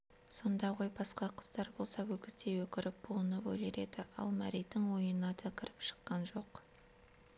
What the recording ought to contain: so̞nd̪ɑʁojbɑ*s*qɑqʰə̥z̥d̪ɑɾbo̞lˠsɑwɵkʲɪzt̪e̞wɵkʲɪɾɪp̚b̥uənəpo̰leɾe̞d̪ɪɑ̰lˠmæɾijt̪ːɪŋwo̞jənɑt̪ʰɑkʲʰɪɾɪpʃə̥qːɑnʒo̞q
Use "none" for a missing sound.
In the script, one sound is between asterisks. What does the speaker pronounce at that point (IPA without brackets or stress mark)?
s